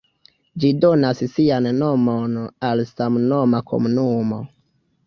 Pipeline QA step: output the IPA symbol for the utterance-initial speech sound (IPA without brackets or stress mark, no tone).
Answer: d͡ʒ